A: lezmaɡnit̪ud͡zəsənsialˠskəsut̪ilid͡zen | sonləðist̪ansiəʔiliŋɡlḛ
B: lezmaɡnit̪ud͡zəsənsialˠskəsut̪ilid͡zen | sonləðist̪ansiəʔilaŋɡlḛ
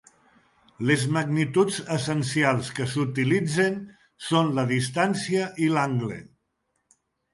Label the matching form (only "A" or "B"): B